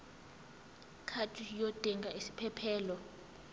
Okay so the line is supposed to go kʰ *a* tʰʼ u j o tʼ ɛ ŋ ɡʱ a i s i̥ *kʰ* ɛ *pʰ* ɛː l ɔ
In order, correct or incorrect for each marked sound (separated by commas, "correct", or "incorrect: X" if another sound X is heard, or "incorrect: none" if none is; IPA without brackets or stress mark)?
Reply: correct, incorrect: pʰ, correct